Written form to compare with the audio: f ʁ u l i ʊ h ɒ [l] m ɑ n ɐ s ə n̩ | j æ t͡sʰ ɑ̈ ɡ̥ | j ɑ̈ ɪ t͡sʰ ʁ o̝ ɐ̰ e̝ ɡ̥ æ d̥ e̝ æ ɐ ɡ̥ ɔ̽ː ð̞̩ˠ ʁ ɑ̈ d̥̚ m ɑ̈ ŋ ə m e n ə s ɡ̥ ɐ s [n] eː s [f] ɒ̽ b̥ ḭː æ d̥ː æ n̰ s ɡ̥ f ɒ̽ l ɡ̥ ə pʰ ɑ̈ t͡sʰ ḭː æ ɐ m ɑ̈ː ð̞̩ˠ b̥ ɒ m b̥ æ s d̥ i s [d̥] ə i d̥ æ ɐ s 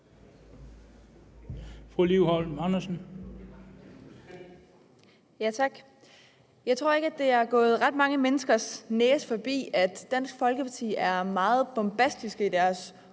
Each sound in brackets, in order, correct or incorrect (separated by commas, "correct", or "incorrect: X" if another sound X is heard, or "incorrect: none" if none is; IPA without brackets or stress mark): correct, correct, correct, incorrect: ɡ̥